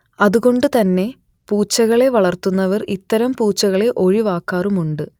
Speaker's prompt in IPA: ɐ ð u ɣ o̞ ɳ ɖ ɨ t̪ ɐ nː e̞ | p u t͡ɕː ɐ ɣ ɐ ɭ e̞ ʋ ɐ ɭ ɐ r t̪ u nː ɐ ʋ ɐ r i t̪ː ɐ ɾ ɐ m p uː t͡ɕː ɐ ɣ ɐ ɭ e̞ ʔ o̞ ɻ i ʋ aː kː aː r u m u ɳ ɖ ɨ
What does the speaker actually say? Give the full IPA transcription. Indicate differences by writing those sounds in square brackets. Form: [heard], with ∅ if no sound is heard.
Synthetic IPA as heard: ɐ ð u ɣ o̞ ɳ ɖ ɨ t̪ ɐ nː e̞ | p [uː] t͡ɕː ɐ ɣ ɐ ɭ e̞ ʋ ɐ ɭ ɐ r t̪ u nː ɐ ʋ ɐ r i t̪ː ɐ ɾ ɐ m p uː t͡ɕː ɐ ɣ ɐ ɭ e̞ ʔ o̞ ɻ i ʋ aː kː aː r u m u ɳ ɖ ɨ